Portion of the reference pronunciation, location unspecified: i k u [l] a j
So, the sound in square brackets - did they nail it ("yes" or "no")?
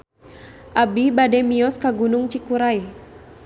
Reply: no